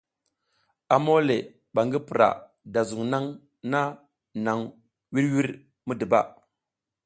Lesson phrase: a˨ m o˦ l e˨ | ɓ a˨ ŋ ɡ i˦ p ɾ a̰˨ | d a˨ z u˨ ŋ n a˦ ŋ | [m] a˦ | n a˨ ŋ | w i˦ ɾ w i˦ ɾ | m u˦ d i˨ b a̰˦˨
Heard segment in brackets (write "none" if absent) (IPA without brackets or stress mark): n